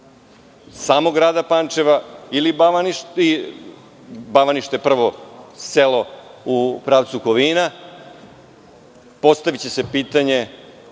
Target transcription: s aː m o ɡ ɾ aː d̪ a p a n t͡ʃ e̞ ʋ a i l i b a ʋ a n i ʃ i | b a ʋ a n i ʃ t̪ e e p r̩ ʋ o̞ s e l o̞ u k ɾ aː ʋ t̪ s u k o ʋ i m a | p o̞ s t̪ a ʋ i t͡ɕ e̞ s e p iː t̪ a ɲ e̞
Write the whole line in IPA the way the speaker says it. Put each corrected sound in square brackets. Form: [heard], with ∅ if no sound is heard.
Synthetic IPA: s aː m o ɡ ɾ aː d̪ a p a n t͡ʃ e̞ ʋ a i l i b a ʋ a n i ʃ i | b a ʋ a n i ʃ t̪ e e p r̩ ʋ o̞ s e l o̞ u [p] ɾ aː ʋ t̪ s u k o ʋ i [n] a | p o̞ s t̪ a ʋ i t͡ɕ e̞ s e p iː t̪ a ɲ e̞